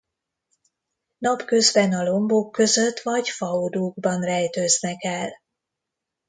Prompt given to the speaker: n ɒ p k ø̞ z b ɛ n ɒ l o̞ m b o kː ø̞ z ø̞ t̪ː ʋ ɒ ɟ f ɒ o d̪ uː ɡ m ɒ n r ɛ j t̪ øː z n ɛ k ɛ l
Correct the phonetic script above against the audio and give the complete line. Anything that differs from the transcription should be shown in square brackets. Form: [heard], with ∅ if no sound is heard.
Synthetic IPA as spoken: n ɒ p k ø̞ z b ɛ n ɒ l o̞ m b o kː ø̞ z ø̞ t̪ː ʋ ɒ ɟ f ɒ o d̪ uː ɡ [b] ɒ n r ɛ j t̪ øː z n ɛ k ɛ l